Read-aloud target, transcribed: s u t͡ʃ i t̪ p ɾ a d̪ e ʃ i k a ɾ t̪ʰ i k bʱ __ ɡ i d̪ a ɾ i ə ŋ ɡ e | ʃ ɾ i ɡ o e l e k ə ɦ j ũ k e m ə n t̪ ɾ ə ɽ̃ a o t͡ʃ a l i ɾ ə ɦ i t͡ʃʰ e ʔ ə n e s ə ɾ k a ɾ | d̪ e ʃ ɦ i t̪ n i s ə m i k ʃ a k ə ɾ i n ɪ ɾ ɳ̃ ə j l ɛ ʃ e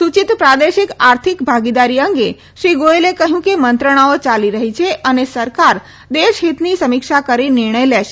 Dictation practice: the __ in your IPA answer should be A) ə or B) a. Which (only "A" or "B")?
B